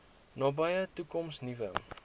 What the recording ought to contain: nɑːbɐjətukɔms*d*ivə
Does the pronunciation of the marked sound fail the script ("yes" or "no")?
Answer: yes